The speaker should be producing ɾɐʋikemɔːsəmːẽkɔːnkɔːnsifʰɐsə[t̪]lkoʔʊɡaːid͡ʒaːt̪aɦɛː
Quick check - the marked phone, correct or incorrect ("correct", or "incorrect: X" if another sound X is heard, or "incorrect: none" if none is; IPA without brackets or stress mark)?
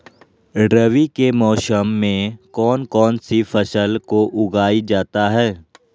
incorrect: none